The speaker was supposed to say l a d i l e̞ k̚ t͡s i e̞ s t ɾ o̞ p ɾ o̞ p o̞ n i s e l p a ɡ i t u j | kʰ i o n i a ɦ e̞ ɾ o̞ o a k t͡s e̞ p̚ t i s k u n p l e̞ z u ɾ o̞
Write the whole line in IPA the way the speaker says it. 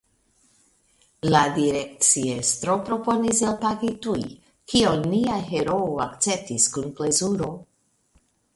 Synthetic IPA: l a d i ɾ e̞ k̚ t͡s i e̞ s t ɾ o̞ p ɾ o̞ p o̞ n i s e l p a ɡ i t u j | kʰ i o n i a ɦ e̞ ɾ o̞ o a k t͡s e̞ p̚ t i s k u n p l e̞ z u ɾ o̞